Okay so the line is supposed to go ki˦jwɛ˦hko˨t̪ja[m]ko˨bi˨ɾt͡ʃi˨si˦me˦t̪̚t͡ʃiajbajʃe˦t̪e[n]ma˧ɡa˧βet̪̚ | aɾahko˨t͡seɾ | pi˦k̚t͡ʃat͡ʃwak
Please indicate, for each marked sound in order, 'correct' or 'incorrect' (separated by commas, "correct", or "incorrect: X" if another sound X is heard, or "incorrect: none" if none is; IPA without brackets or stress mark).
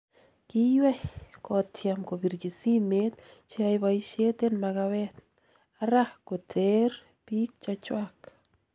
correct, correct